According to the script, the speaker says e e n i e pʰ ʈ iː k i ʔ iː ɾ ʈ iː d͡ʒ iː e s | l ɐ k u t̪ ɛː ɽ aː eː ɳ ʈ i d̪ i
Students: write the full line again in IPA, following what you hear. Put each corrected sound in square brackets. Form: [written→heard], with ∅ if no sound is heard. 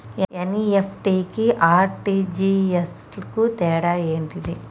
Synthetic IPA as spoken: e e n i e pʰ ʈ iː k i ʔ [iː→aː] ɾ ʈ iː d͡ʒ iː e s | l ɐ k u t̪ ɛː ɽ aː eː ɳ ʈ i d̪ i